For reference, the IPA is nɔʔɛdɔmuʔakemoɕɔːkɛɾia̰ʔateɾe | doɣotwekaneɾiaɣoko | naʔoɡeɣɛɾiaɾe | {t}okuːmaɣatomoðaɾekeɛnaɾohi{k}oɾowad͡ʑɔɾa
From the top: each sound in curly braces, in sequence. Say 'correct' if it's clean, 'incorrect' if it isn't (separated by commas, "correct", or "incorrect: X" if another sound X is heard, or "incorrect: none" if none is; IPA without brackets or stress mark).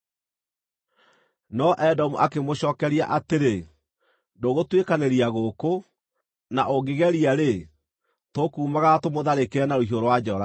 correct, incorrect: none